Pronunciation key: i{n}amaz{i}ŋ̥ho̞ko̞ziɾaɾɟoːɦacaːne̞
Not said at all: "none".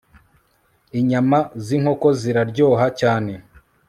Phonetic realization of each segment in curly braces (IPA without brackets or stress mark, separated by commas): ɲ, i